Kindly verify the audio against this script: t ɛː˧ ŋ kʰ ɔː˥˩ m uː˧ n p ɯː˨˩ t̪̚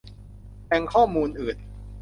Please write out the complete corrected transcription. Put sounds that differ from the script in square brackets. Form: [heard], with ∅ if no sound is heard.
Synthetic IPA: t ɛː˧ ŋ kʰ ɔː˥˩ m uː˧ n [ʔ] ɯː˨˩ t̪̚